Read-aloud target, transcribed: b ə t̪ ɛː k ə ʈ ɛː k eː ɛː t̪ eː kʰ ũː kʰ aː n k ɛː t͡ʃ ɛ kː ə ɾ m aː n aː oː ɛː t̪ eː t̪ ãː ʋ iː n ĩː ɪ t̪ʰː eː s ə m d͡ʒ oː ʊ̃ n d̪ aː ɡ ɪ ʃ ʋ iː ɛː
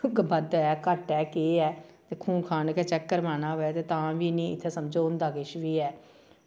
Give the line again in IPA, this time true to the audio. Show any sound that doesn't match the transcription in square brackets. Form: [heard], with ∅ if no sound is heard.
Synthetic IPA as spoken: b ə [d̪] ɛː k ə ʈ ɛː k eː ɛː t̪ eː kʰ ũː kʰ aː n k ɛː t͡ʃ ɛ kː ə ɾ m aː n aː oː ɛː t̪ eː t̪ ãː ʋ iː n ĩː ɪ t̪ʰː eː s ə m d͡ʒ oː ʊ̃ n d̪ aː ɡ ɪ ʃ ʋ iː ɛː